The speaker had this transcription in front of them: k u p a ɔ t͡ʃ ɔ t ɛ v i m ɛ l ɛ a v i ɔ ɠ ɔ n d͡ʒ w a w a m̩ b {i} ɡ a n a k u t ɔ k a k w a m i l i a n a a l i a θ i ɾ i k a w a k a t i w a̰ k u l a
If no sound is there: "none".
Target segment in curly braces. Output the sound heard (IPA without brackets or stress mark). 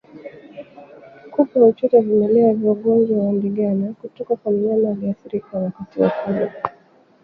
i